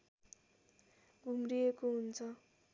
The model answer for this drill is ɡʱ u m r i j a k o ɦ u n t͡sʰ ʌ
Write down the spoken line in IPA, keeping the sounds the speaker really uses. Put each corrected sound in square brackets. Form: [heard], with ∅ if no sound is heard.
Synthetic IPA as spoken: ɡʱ u m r i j [e] k o ɦ u n t͡sʰ ʌ

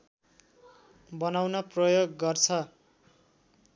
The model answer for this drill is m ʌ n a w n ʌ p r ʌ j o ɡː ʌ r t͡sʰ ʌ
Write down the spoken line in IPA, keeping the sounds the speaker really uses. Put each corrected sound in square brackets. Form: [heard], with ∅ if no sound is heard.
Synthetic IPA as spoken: [b] ʌ n a w n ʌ p r ʌ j o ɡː ʌ r t͡sʰ ʌ

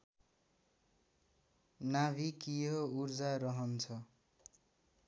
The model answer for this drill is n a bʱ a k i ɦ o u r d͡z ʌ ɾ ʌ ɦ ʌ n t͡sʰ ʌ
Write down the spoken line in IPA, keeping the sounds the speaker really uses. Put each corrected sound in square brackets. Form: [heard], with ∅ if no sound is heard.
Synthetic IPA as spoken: n a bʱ [i] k i ɦ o u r d͡z [a] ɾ ʌ ɦ ʌ n t͡sʰ ʌ

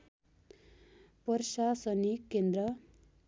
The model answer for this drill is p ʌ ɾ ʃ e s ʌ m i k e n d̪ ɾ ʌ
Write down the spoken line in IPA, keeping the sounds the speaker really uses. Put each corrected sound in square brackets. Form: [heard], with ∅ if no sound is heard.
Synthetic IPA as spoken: p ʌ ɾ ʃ [a] s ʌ [n] i k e n d̪ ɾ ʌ

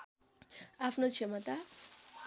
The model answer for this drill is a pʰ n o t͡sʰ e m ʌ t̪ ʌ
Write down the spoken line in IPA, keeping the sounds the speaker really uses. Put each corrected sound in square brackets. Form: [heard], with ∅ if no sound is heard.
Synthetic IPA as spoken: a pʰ n o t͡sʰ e m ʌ t̪ [a]

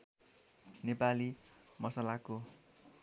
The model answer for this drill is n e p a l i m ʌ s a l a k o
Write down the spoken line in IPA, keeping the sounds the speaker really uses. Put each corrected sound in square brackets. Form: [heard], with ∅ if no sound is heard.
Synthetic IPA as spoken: n e p a l i m ʌ s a l a k o

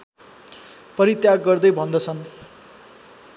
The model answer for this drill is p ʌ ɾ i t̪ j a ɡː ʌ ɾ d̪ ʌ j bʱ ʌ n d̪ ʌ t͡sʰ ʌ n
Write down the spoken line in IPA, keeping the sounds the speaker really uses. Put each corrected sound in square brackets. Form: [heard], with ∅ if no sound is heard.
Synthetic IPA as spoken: p ʌ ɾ i t̪ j a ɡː ʌ [r] d̪ ʌ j bʱ ʌ n d̪ ʌ t͡sʰ ʌ n

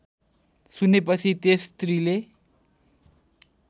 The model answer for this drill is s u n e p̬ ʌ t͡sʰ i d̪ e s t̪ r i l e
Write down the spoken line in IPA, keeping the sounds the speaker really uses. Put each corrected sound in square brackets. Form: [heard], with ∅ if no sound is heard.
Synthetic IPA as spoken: s u n e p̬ ʌ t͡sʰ i [t̪] e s t̪ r i l e

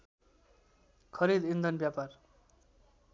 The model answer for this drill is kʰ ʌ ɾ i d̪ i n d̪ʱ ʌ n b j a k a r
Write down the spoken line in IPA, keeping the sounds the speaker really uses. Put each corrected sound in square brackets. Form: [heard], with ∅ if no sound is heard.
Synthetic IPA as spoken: kʰ ʌ ɾ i d̪ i n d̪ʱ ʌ n b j a [p] a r

